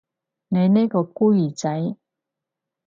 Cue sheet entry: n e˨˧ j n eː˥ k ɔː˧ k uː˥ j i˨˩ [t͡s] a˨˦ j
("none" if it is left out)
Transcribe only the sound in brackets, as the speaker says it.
t͡s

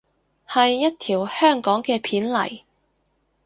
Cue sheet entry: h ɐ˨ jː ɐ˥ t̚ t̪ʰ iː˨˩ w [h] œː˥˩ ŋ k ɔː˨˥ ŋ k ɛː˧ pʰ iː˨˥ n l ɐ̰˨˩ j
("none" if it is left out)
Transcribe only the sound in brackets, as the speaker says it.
h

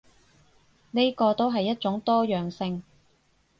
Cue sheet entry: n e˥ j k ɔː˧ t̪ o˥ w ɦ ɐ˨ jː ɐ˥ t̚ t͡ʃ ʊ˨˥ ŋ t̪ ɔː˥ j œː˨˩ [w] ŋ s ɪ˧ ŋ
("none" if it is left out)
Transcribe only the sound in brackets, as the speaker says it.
none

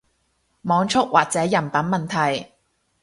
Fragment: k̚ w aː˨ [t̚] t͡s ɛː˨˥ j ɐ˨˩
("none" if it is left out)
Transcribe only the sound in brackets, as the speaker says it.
k̚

